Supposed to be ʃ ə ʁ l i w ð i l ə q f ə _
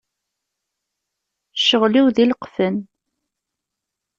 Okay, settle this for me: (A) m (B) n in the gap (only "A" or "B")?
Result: B